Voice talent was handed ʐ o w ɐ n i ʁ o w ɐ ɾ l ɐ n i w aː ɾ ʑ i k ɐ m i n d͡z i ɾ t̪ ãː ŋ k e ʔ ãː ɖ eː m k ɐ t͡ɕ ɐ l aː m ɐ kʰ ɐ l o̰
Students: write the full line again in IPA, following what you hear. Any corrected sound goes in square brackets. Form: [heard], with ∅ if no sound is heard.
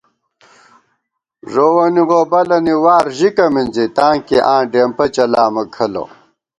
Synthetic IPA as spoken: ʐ o w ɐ n i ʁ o [b] ɐ [∅] l ɐ n i w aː ɾ ʑ i k ɐ m i n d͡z i [∅] t̪ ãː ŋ k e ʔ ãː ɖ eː m [p] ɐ t͡ɕ ɐ l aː m ɐ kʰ ɐ l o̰